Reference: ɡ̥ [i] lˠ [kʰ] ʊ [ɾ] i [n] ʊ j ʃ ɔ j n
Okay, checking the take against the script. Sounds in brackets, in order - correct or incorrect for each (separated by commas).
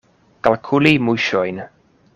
incorrect, correct, incorrect, incorrect